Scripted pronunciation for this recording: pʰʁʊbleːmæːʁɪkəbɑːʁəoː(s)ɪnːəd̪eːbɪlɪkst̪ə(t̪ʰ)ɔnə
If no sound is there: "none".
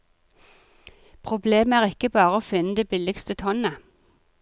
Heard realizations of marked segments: f, t̪ʰ

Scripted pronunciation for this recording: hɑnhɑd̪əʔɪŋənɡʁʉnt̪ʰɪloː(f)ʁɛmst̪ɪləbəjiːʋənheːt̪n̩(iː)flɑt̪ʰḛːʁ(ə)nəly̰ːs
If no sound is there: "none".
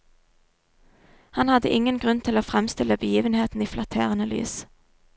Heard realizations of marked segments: f, iː, ə

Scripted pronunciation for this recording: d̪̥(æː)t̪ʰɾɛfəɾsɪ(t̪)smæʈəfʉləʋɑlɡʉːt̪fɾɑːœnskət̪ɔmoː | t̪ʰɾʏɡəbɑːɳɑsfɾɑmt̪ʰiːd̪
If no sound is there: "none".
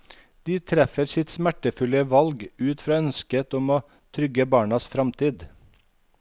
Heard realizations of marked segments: iː, t̪

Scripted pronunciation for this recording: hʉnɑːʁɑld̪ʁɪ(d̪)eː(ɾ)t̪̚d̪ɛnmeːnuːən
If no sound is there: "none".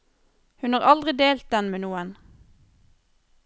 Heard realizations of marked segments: d̪, l

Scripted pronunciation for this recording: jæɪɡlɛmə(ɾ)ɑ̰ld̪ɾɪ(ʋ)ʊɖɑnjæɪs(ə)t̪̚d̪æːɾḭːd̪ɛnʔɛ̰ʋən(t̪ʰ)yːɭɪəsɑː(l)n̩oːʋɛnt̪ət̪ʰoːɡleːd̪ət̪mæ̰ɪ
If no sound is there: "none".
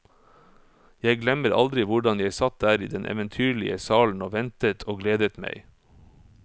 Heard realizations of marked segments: ɾ, ʋ, ɑ, t̪ʰ, l

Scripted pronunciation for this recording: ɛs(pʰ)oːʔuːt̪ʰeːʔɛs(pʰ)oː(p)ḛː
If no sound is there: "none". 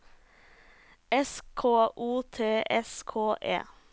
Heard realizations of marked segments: kʰ, kʰ, ʔ

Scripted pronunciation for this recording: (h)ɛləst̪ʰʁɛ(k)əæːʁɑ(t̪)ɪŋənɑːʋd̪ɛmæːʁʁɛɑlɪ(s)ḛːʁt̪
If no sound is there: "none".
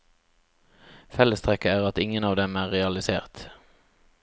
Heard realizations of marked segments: f, k, t̪, s

